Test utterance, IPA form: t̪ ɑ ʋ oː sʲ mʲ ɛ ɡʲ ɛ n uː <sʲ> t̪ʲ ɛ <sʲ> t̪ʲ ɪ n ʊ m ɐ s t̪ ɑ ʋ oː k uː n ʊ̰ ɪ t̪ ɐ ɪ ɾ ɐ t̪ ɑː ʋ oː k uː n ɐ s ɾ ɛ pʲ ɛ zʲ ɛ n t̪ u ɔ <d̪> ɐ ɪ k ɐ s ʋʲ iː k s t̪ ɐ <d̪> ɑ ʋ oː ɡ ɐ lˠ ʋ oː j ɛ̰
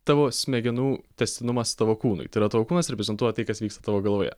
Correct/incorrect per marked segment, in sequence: incorrect, correct, incorrect, incorrect

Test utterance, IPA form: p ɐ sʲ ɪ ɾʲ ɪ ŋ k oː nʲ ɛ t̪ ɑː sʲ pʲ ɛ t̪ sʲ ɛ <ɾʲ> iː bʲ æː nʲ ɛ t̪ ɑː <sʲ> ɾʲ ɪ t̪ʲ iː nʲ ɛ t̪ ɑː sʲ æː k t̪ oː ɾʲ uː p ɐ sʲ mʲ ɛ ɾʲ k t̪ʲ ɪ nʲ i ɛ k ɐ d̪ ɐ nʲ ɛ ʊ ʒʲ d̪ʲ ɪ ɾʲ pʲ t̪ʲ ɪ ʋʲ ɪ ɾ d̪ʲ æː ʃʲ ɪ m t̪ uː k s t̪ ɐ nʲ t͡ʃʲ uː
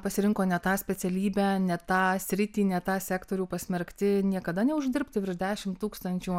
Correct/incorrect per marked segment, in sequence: incorrect, correct

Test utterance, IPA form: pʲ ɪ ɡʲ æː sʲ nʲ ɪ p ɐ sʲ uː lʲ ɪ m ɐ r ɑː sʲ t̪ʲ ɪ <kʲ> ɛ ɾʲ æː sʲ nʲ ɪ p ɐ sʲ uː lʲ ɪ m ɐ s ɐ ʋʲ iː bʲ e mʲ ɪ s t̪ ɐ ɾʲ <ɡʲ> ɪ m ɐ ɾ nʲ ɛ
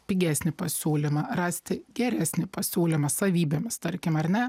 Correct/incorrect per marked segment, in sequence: incorrect, incorrect

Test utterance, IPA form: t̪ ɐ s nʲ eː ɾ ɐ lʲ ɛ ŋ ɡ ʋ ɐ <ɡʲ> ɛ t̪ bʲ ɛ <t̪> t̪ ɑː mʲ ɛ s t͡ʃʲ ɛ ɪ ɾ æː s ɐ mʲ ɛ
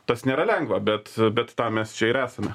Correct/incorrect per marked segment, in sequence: incorrect, correct

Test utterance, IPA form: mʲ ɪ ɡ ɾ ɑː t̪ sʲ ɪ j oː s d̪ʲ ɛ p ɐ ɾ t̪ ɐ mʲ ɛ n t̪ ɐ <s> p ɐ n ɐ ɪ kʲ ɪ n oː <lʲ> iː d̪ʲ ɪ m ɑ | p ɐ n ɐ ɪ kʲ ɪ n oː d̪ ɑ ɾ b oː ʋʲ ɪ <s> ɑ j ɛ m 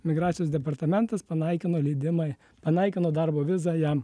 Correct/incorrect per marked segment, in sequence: correct, correct, incorrect

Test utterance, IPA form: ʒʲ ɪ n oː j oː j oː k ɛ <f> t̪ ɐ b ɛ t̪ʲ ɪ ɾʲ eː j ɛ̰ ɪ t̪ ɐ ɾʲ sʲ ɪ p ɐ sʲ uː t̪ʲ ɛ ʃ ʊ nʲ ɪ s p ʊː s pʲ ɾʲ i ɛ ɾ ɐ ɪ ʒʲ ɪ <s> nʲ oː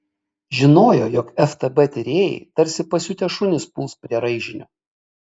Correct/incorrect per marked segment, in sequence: correct, incorrect

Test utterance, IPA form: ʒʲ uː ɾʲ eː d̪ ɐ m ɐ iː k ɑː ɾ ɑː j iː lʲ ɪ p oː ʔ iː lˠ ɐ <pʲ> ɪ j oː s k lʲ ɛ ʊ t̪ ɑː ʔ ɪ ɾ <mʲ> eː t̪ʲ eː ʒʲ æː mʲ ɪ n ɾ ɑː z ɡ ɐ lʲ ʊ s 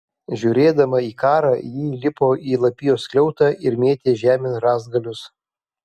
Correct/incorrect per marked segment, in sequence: correct, correct

